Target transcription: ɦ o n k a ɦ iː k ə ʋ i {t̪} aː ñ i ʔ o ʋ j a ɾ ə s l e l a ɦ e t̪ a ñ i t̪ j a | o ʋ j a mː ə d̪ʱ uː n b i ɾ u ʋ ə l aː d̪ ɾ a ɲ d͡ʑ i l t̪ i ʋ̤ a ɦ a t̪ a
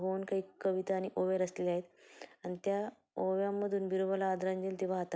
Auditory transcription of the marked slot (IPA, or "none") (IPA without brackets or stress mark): t̪